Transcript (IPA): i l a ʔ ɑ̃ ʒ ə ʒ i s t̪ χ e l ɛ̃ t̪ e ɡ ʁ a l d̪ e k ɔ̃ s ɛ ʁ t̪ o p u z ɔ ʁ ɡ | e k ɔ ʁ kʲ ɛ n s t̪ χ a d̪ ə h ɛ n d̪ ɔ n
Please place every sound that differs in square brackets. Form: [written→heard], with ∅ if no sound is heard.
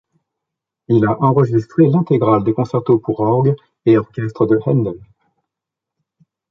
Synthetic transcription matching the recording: i l a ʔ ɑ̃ [ʒ→ʁ] ə ʒ i s t̪ χ e l ɛ̃ t̪ e ɡ ʁ a l d̪ e k ɔ̃ s ɛ ʁ t̪ o p u [z→ʁ] ɔ ʁ ɡ | e [k→∅] ɔ ʁ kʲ ɛ [n→∅] s t̪ χ [a→ə] d̪ ə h ɛ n d̪ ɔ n